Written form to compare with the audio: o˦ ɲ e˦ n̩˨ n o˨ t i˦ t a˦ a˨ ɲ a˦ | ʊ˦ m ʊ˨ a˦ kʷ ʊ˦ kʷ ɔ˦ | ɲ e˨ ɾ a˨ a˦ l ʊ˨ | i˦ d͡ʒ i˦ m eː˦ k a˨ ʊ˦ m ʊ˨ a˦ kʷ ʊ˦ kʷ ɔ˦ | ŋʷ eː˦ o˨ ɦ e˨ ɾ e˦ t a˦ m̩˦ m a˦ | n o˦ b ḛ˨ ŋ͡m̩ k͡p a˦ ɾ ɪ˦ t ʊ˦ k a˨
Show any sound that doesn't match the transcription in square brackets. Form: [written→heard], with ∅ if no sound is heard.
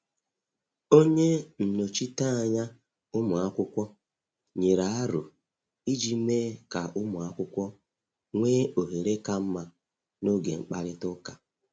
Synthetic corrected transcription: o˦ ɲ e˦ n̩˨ n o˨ [t→t͡ʃ] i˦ t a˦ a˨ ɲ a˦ | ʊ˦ m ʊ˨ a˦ kʷ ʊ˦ kʷ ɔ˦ | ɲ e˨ ɾ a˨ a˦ [l→ɾ] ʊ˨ | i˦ d͡ʒ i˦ m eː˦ k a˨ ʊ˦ m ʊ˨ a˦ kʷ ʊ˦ kʷ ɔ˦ | ŋʷ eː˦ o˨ ɦ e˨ ɾ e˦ [t→k] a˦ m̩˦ m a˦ | n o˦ [b→ɡ] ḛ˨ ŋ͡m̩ k͡p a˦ ɾ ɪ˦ t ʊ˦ k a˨

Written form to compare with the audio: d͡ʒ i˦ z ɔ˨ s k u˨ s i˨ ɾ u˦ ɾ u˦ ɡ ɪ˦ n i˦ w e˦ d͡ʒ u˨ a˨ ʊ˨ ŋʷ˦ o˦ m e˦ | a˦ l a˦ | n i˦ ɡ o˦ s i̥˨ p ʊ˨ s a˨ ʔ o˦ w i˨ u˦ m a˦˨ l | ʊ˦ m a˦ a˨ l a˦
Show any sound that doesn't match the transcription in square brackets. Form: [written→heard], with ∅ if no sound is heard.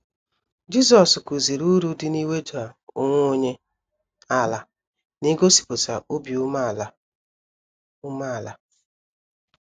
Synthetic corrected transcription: d͡ʒ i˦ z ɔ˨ s k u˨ [s→z] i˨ ɾ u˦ ɾ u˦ [ɡ→d] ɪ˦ n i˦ w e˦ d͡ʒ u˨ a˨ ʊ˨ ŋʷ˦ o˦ [m→ɲ] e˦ | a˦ l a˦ | n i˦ ɡ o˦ s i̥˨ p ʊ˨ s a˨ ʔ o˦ [w→b] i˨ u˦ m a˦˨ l | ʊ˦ m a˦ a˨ l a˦

